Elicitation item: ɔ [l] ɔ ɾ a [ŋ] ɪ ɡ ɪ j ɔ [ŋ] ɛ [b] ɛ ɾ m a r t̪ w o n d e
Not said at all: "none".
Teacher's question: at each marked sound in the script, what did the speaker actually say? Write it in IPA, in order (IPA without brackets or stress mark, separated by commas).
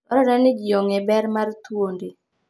ɾ, n, ŋ, b